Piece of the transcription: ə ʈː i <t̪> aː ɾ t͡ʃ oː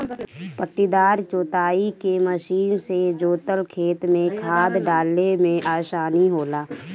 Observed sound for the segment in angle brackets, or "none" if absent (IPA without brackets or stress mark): d̪